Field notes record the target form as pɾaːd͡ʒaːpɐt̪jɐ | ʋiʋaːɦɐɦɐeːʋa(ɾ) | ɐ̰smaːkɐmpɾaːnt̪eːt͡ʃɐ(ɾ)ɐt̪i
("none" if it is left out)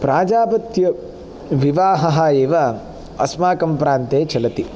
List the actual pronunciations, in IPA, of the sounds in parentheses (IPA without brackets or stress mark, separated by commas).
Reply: none, l